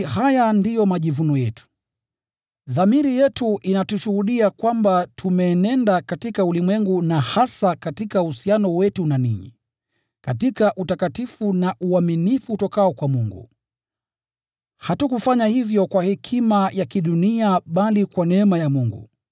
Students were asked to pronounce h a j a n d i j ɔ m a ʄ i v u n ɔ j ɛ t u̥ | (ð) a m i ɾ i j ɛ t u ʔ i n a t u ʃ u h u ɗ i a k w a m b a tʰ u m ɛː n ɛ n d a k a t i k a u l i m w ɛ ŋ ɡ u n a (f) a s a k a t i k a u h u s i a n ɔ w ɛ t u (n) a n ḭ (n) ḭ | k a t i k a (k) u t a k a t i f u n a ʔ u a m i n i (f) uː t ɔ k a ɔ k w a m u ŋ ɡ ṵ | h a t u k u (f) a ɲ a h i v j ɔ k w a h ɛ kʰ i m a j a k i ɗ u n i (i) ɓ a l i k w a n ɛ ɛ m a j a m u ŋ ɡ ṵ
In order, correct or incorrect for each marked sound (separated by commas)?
correct, incorrect, correct, incorrect, incorrect, correct, correct, incorrect